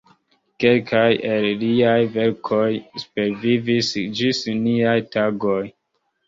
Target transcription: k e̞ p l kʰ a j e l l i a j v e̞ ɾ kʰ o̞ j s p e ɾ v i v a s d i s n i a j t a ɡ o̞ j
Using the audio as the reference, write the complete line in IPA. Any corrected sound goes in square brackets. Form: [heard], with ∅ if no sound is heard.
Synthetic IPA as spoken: k e̞ [∅] l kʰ a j e l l i a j v e̞ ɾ kʰ o̞ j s p e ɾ v i v [i] s [d͡ʒ] i s n i a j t a ɡ o̞ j